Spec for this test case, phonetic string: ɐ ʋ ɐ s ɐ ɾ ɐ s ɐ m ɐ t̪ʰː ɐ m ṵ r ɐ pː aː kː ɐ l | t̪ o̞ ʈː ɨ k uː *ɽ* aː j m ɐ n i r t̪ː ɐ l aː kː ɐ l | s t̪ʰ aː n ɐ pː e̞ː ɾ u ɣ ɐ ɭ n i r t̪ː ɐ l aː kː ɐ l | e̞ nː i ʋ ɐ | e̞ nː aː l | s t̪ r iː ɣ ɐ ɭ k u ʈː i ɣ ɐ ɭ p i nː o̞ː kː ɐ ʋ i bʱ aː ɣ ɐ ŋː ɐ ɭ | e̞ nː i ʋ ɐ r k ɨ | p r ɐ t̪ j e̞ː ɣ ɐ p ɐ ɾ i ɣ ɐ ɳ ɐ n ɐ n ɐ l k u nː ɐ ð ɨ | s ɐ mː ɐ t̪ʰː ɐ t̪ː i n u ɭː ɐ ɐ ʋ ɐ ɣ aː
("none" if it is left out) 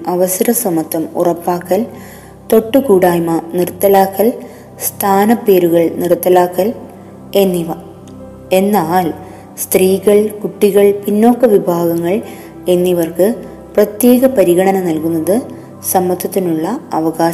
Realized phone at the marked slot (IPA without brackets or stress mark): ɽ